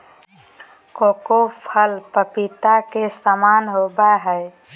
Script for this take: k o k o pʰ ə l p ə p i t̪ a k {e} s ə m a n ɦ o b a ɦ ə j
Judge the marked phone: correct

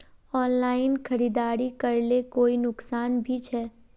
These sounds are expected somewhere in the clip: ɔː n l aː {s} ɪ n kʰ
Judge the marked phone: incorrect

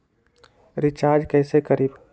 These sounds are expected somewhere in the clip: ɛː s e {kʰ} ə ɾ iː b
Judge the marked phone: incorrect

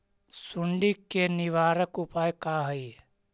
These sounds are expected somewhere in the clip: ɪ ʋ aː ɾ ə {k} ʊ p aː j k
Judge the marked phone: correct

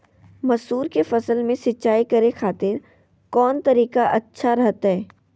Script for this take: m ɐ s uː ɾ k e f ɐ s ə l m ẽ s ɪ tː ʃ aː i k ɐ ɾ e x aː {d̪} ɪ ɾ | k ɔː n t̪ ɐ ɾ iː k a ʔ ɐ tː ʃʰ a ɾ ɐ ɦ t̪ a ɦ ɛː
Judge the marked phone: incorrect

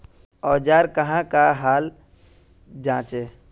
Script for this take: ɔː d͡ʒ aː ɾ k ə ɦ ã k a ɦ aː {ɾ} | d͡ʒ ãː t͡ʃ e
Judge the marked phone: incorrect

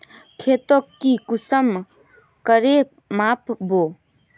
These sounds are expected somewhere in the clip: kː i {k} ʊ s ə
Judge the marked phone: correct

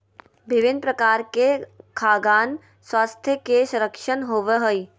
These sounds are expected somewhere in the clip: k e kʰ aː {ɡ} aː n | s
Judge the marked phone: correct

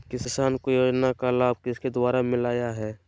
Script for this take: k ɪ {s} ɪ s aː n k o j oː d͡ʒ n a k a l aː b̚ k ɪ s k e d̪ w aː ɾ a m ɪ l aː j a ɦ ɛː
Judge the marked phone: correct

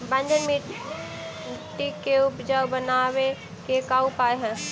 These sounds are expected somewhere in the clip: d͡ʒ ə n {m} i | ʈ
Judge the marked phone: correct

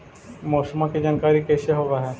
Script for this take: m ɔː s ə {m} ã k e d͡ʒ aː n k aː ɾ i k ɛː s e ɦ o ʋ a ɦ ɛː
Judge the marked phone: correct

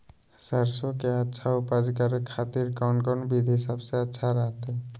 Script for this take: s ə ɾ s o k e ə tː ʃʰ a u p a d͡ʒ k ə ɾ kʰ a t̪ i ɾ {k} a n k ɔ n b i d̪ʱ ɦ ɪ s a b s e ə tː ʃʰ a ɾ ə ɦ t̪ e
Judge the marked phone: correct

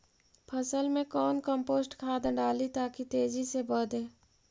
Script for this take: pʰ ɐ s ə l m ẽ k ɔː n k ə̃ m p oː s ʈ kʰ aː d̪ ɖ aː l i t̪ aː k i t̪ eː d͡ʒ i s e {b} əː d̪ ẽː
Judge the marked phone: correct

